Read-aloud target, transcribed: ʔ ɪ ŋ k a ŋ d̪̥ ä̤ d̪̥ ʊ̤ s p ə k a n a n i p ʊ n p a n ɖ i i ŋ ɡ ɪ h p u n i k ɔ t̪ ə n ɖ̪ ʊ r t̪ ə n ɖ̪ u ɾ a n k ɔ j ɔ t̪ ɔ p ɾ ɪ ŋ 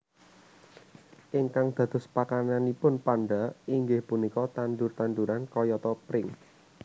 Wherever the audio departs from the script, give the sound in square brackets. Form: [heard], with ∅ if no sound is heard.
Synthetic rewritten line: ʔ ɪ ŋ k a ŋ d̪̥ ä̤ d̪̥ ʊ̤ s p [a] k a n a n i p ʊ n p a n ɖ [a] i ŋ ɡ ɪ h p u n i k ɔ t̪ [a] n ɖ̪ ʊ r t̪ [a] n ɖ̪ u ɾ a n k ɔ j ɔ t̪ ɔ p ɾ ɪ ŋ